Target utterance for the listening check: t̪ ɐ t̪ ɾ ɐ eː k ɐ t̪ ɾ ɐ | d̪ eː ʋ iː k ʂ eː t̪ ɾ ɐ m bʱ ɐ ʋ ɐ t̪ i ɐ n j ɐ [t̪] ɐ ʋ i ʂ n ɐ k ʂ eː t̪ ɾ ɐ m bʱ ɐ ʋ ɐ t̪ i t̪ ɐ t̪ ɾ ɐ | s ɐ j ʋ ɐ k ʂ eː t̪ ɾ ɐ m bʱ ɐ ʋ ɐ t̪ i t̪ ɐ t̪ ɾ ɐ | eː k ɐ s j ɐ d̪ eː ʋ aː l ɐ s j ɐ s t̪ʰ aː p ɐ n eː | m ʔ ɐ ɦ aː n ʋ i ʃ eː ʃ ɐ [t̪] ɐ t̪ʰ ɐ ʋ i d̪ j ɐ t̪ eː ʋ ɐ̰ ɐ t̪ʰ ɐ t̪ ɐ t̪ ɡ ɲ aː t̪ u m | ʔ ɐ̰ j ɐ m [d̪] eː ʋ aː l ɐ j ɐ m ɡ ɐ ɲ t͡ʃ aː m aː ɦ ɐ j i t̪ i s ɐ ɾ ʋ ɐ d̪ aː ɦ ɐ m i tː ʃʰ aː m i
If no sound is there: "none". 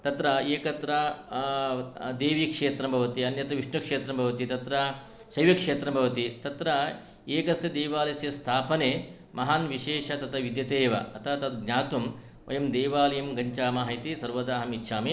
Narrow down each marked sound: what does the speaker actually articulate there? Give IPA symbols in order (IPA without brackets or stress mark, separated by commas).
t̪, t̪, d̪